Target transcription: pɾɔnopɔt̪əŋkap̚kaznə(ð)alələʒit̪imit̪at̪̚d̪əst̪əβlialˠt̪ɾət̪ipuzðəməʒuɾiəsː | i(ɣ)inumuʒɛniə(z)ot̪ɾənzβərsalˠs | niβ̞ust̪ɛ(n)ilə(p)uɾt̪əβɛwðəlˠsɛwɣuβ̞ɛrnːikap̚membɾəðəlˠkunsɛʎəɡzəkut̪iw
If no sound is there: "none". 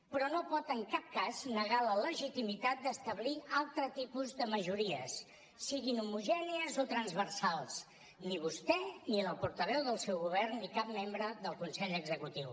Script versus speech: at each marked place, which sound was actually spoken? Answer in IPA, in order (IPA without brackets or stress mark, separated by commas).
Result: ɣ, ɣ, z, n, p